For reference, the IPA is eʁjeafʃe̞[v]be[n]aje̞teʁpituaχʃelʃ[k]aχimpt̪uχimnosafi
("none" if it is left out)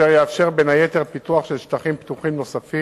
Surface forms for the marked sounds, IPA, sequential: ʁ, n, t

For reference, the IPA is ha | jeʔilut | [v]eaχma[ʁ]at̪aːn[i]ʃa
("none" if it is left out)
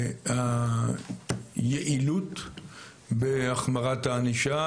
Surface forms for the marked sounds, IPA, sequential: b, ʁ, i

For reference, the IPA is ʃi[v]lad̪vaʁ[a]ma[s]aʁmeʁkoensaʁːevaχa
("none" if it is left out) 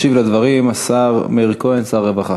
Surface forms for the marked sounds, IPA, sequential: v, i, s

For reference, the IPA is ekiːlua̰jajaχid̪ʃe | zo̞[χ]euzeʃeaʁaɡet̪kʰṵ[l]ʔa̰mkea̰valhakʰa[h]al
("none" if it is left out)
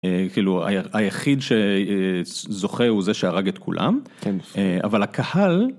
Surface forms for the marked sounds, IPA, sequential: χ, l, h

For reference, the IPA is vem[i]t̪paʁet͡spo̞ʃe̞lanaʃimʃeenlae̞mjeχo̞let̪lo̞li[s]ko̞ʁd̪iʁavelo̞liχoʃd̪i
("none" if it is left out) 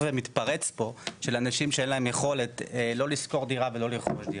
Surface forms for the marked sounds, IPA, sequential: i, s

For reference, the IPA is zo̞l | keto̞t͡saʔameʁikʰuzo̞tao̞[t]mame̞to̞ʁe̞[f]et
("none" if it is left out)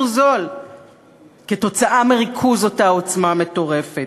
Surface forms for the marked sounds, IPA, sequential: t͡s, f

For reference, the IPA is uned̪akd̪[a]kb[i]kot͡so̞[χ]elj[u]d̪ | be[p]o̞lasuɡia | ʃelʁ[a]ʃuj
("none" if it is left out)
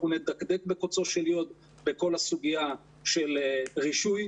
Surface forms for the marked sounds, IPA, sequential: e, e, ʃ, o, k, i

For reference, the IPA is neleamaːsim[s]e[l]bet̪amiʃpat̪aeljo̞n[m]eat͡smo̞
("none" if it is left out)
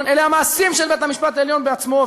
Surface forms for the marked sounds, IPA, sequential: ʃ, l, b

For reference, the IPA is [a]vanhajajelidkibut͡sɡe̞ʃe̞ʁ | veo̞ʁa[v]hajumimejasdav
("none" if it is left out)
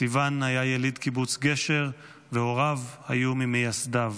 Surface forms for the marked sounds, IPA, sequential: i, v

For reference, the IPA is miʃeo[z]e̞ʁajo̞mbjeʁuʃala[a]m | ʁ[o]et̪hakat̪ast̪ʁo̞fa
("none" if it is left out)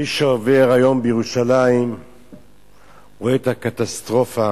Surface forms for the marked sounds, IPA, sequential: v, i, o

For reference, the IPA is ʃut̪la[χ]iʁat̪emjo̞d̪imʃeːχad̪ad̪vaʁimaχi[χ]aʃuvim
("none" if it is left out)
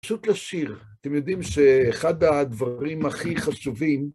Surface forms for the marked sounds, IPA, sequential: ʃ, χ

